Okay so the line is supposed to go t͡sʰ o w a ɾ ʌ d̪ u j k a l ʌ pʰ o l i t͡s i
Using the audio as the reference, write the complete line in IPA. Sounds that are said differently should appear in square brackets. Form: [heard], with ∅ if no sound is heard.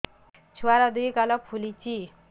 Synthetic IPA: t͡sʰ [u] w a ɾ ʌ d̪ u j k a l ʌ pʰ [u] l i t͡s i